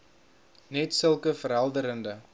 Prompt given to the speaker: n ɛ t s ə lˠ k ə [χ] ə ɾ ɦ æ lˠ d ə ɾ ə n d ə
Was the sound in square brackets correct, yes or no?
no